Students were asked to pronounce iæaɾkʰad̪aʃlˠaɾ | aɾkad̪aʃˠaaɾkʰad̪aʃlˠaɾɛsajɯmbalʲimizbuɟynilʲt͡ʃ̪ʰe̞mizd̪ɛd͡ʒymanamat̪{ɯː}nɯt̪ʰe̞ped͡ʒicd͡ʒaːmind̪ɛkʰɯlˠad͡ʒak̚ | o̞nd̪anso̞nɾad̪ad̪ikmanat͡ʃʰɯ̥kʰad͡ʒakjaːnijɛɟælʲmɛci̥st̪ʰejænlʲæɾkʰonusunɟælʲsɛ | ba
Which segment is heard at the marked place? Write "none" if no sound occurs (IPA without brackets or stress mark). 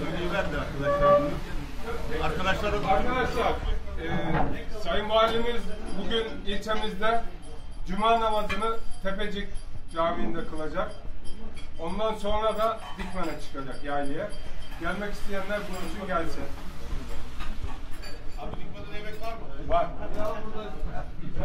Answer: ɯ